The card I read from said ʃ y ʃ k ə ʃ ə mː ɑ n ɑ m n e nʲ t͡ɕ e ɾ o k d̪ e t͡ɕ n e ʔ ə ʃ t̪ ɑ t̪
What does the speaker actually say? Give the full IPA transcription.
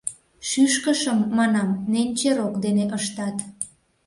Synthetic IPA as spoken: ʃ y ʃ k ə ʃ ə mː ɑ n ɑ m n e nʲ t͡ɕ e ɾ o k d̪ e n e ʔ ə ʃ t̪ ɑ t̪